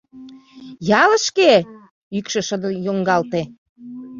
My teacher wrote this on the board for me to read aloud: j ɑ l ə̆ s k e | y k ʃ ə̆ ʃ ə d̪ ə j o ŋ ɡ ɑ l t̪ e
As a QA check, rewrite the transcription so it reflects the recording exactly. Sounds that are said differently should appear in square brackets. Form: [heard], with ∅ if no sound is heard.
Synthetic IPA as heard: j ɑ l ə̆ [ʃ] k e | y k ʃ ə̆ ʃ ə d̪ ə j o ŋ ɡ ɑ l t̪ e